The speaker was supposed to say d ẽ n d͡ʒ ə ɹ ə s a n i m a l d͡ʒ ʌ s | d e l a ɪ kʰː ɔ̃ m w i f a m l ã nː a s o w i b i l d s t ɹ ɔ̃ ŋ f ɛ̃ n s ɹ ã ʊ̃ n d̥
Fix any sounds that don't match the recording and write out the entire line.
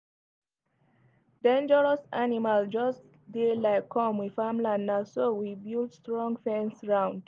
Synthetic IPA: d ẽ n d͡ʒ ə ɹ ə s a n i m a l d͡ʒ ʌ s | d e l a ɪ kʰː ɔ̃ m w i f a m l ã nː a s o w i b i l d s t ɹ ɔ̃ ŋ f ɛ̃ n s ɹ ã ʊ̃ n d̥